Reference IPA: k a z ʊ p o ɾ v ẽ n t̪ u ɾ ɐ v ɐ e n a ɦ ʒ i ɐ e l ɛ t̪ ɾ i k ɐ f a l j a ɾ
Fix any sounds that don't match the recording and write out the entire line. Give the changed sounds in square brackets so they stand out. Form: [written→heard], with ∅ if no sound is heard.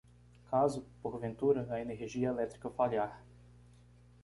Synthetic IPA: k a z ʊ p o ɾ v ẽ n t̪ u ɾ ɐ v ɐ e n [a→e] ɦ ʒ i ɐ e l ɛ t̪ ɾ i k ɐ f a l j a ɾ